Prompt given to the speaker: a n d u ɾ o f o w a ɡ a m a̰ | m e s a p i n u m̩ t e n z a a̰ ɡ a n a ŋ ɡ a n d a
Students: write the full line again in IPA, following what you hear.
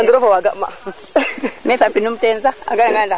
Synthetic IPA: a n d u ɾ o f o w a ɡ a m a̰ | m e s a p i n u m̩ t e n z a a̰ ɡ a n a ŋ ɡ a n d a